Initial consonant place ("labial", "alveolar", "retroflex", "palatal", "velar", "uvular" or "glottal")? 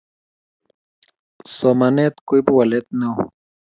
alveolar